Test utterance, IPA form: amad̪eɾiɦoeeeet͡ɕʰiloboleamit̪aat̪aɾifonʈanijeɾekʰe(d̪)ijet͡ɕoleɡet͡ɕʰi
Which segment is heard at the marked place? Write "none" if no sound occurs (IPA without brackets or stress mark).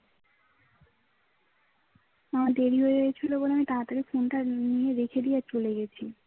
d̪